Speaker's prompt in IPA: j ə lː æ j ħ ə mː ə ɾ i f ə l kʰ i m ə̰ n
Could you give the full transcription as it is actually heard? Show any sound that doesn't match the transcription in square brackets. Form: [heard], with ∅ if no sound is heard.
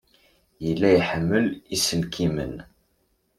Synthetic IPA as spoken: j ə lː æ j ħ ə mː ə [l] i [s] ə l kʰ i m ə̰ n